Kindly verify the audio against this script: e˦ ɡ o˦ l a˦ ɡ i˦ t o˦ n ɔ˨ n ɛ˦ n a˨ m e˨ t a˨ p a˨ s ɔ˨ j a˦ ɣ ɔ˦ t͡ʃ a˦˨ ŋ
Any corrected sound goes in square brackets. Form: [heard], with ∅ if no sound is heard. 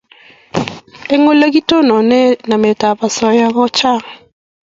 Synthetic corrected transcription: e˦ [ŋ] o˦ l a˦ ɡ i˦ t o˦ n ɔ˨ n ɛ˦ n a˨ m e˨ t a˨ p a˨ s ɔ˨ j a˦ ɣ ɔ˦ t͡ʃ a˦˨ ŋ